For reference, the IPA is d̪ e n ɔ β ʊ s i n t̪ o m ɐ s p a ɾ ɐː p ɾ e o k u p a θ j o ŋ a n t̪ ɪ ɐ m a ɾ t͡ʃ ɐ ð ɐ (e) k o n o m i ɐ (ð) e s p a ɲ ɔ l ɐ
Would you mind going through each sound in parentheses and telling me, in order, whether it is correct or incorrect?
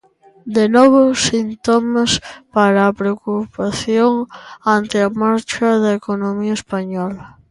correct, incorrect

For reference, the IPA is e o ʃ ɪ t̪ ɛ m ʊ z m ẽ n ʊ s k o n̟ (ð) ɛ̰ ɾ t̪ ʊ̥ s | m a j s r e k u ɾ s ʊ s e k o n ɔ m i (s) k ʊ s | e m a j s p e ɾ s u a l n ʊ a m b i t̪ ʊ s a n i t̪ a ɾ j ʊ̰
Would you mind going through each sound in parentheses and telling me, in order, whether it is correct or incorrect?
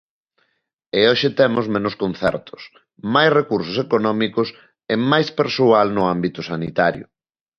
incorrect, incorrect

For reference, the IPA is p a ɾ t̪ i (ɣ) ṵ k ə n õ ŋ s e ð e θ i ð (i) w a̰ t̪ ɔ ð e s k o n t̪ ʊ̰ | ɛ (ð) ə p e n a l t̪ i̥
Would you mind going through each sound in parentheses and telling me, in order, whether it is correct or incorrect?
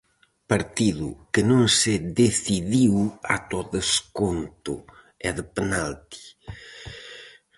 incorrect, correct, correct

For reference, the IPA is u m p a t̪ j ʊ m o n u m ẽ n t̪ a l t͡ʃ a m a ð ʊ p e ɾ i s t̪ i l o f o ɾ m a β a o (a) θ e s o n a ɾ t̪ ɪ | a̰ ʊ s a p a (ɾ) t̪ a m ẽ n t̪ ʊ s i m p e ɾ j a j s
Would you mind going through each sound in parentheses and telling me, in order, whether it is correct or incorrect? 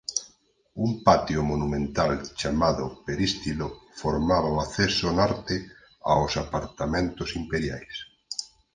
correct, correct

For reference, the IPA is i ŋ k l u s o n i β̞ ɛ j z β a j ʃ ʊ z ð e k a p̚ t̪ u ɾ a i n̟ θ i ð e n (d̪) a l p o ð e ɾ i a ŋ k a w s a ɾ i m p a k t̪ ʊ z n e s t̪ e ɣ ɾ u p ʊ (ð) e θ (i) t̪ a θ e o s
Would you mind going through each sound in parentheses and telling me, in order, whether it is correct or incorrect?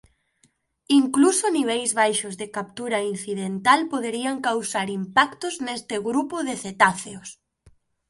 incorrect, correct, incorrect

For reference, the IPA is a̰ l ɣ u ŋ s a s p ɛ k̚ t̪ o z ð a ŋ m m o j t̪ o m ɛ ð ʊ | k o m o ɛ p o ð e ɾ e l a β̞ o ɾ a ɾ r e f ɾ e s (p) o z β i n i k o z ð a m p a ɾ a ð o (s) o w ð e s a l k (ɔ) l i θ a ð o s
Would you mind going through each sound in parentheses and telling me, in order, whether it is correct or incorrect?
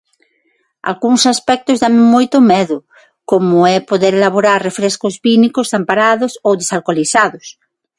incorrect, correct, incorrect

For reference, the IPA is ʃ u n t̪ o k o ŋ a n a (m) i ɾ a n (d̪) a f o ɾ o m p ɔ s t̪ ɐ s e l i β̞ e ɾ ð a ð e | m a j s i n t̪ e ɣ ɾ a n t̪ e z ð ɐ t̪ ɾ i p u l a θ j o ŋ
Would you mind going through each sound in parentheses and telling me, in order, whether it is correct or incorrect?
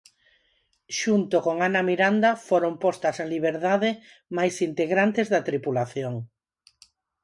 correct, correct

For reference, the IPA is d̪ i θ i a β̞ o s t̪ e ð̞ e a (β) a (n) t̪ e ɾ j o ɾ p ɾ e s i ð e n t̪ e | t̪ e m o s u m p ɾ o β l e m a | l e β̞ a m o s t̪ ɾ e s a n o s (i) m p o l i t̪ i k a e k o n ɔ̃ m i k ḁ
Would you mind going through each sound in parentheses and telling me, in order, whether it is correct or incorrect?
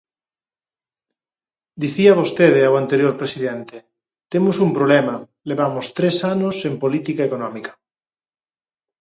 incorrect, correct, incorrect

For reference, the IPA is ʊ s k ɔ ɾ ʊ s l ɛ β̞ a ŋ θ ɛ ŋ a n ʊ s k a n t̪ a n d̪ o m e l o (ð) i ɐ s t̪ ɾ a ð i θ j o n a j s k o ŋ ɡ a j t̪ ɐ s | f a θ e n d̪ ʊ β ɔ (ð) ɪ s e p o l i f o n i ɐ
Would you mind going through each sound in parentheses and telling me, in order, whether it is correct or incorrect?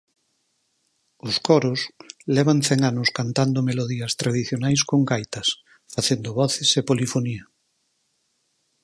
correct, incorrect

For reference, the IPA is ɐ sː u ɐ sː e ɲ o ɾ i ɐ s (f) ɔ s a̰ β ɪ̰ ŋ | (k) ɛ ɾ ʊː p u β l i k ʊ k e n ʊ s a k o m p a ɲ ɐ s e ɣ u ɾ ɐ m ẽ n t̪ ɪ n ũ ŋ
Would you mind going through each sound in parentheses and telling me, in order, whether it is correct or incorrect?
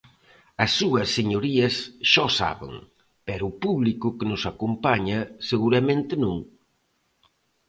incorrect, incorrect

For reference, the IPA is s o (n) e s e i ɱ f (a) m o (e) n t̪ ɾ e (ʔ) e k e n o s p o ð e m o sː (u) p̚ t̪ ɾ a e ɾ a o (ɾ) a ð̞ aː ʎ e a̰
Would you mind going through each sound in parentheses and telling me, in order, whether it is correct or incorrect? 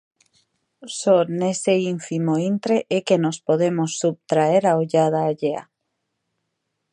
correct, incorrect, incorrect, correct, correct, incorrect

